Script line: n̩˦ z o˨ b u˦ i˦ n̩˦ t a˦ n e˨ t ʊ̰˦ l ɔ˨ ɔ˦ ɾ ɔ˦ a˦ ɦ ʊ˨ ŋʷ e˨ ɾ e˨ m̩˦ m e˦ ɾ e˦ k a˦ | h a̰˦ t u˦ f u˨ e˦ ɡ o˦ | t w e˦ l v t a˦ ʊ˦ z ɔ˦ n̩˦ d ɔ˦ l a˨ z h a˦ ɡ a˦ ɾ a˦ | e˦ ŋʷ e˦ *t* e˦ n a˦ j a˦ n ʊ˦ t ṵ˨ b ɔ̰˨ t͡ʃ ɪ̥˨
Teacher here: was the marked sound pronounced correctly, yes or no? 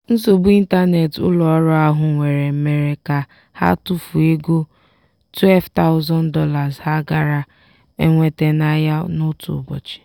yes